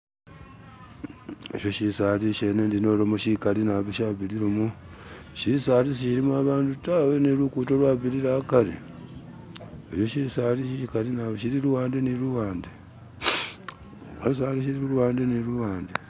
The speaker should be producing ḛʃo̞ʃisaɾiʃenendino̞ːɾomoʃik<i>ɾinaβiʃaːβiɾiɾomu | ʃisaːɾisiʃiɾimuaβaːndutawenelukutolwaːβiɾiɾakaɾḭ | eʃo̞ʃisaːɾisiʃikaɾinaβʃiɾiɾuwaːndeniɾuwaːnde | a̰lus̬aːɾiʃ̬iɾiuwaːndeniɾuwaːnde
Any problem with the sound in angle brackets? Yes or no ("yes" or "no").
yes